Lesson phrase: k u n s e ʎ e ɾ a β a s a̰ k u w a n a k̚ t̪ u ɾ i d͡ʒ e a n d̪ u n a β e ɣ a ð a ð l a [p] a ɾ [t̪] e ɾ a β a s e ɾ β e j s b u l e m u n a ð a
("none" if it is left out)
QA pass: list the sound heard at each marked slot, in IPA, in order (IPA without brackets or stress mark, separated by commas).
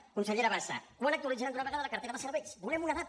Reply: k, t̪